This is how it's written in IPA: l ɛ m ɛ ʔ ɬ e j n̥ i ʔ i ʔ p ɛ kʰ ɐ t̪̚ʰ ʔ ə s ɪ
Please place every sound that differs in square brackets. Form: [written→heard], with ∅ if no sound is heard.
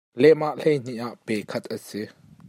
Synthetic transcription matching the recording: l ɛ m [ɛ→a] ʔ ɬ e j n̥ i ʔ [i→a] ʔ p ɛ kʰ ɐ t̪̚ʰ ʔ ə s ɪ

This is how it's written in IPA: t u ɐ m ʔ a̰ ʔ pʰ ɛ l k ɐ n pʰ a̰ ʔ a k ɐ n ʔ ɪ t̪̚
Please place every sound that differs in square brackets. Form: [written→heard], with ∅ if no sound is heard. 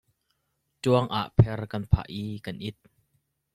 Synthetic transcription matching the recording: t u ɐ [m→ŋ] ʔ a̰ ʔ pʰ ɛ [l→r] k ɐ n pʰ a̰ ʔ [a→i] k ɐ n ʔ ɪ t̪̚

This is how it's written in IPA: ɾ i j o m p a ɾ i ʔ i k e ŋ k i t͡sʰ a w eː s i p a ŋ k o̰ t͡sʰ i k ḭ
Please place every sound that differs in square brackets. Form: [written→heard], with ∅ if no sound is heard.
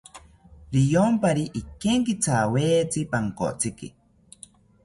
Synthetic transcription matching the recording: ɾ i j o m p a ɾ i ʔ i k e ŋ k i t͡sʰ a w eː [s→t͡s] i p a ŋ k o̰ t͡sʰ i k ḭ

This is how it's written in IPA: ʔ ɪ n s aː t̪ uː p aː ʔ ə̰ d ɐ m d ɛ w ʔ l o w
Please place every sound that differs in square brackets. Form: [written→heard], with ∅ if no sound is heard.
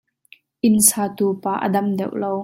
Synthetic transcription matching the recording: ʔ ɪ n s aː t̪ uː p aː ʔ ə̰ d ɐ m d ɛ w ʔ l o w

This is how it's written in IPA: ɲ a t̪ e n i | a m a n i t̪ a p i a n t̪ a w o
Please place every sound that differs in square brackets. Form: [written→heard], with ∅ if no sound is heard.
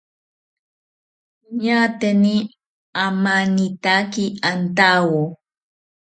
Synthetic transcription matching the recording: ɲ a t̪ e n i | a m a n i t̪ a [p→k] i a n t̪ a w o

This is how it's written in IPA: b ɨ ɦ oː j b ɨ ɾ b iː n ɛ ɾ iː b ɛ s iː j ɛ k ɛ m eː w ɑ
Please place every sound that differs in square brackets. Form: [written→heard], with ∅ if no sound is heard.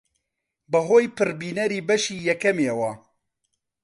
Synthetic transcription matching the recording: b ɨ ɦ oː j [b→p] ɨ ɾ b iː n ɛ ɾ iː b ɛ [s→ʃ] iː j ɛ k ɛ m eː w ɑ

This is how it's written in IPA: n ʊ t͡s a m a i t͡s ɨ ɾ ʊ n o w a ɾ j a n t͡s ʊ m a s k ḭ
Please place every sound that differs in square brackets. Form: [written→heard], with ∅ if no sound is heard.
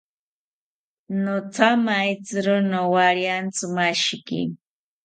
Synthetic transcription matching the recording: n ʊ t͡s a m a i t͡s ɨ ɾ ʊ n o w a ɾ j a n t͡s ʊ m a [s→ʃ] k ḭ

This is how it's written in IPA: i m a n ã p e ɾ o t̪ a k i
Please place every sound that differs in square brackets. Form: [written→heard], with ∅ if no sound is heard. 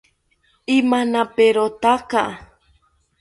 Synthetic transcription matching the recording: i m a n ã p e ɾ o t̪ a k [i→a]

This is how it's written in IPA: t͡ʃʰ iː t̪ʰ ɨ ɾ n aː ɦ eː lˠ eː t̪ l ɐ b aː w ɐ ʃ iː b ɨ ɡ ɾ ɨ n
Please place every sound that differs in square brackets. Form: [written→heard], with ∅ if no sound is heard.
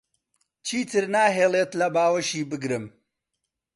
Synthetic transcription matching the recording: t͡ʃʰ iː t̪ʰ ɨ ɾ n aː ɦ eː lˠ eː t̪ l ɐ b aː w ɐ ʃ iː b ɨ ɡ ɾ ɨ [n→m]

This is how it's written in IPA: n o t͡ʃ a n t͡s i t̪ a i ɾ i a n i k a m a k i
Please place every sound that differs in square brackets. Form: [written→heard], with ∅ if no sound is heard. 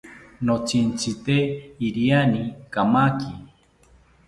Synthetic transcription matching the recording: n o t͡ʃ [a→i] n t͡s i t̪ [a→e] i ɾ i a n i k a m a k i

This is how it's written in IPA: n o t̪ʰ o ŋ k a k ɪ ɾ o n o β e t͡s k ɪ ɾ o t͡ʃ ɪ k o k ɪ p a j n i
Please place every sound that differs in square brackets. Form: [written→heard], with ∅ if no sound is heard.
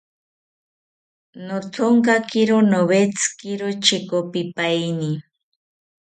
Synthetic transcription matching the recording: n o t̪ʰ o ŋ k a k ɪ ɾ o n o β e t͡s k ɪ ɾ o t͡ʃ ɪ k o [k→p] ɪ p a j n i

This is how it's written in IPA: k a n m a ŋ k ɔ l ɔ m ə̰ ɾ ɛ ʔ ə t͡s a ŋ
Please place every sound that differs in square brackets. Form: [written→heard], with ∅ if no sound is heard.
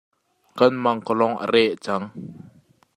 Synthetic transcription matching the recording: k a n m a ŋ k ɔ l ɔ [m→ŋ] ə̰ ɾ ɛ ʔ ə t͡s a ŋ

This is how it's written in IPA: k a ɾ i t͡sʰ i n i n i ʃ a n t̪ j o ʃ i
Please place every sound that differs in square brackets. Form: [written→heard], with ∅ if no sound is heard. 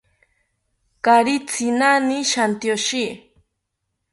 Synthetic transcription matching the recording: k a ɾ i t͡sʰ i n [i→a] n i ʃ a n t̪ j o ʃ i

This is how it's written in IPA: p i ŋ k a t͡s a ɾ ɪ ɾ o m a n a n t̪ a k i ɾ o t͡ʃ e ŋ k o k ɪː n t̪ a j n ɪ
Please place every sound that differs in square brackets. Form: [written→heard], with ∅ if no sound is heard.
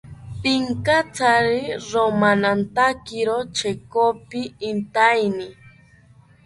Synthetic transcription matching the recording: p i ŋ k a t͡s a ɾ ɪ ɾ o m a n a n t̪ a k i ɾ o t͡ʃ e [ŋ→∅] k o [k→p] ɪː n t̪ a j n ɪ

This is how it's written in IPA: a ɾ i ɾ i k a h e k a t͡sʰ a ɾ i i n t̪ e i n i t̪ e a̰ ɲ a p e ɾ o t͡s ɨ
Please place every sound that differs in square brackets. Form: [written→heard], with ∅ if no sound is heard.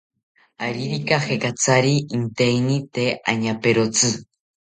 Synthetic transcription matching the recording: a ɾ i ɾ i k a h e k a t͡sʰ a ɾ i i n t̪ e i n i t̪ e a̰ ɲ a p e ɾ o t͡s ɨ

